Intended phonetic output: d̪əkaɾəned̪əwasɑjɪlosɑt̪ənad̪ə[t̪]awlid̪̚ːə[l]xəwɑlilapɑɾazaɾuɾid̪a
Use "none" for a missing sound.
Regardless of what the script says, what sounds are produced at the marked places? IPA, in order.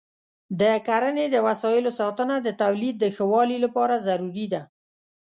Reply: t̪, none

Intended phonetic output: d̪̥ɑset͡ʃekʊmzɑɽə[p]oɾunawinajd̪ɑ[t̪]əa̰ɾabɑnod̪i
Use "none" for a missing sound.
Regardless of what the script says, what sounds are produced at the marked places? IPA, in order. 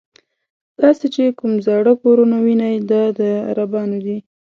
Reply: k, d̪

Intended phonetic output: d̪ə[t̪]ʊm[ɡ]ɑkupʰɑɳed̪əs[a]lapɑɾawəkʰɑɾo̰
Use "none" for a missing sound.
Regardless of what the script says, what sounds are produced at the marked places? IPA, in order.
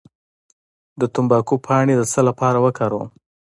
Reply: t̪, b, ə

